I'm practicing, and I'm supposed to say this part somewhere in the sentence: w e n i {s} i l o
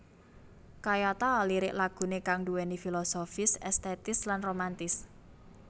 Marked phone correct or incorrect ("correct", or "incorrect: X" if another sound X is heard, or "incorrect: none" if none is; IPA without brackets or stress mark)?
incorrect: f